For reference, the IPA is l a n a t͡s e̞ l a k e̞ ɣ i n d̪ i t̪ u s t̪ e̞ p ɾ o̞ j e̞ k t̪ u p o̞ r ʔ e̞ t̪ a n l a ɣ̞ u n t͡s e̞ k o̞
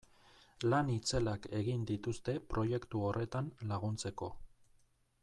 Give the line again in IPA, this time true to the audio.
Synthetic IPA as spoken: l a n i t͡s e̞ l a k e̞ ɣ i n d̪ i t̪ u s t̪ e̞ p ɾ o̞ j e̞ k t̪ u o̞ r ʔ e̞ t̪ a n l a ɣ̞ u n t͡s e̞ k o̞